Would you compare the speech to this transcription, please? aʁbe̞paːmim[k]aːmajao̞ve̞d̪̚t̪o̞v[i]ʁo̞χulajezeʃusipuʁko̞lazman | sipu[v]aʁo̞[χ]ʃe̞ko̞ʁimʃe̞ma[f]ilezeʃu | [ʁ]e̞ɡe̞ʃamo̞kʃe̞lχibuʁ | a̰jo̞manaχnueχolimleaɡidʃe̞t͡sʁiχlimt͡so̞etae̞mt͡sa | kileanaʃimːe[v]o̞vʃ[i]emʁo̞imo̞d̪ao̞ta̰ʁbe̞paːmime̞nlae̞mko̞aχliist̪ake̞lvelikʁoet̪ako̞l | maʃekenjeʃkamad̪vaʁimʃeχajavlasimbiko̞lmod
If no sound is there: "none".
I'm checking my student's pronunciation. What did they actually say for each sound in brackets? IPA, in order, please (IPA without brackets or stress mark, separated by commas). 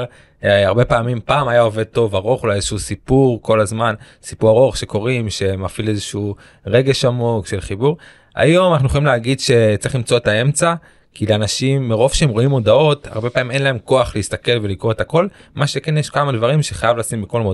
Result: p, a, ʁ, χ, f, ʁ, ʁ, e